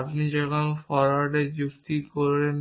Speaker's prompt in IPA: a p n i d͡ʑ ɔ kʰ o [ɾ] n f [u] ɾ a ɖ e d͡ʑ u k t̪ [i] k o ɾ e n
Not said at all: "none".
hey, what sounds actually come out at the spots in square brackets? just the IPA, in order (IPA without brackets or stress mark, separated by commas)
none, ɔ, i